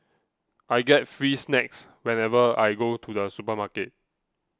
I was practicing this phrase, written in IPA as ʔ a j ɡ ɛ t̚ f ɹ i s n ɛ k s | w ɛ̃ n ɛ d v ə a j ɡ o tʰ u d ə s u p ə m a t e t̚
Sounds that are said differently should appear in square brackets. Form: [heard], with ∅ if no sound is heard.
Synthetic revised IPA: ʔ a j ɡ ɛ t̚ f ɹ i s n ɛ k s | w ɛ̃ n ɛ [∅] v ə a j ɡ o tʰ u d ə s u p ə m a [k] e t̚